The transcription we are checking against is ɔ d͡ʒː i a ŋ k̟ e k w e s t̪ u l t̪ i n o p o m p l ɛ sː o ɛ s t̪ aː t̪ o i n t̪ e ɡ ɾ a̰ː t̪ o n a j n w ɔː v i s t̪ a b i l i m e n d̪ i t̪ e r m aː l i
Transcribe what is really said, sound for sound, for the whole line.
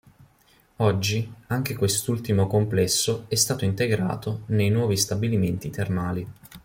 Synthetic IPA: ɔ d͡ʒː i a ŋ k̟ e k w e s t̪ u l t̪ i m o k o m p l ɛ sː o ɛ s t̪ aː t̪ o i n t̪ e ɡ ɾ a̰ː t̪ o n e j n w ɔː v i s t̪ a b i l i m e n t̪ i t̪ e r m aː l i